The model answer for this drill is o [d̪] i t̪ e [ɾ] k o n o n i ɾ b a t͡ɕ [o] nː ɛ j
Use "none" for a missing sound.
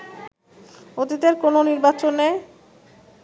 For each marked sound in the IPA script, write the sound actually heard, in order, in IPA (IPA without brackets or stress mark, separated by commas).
t̪, ɾ, o